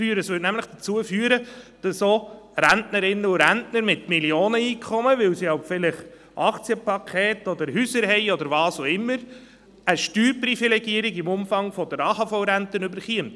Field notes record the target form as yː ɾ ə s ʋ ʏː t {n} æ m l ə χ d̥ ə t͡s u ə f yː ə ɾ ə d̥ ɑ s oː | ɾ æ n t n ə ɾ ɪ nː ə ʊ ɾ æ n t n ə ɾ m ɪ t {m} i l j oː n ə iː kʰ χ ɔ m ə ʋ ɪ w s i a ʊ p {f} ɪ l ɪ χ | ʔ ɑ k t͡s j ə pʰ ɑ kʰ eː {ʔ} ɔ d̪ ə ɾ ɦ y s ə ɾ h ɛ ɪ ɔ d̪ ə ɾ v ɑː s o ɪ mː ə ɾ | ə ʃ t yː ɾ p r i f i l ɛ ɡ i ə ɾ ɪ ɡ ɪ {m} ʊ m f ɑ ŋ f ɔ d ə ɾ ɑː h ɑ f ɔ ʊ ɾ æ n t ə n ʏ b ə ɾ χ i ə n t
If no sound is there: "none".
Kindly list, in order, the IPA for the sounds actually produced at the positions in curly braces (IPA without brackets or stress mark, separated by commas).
n, m, f, t, m